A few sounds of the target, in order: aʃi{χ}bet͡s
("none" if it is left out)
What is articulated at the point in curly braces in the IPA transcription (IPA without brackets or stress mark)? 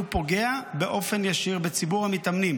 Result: ʁ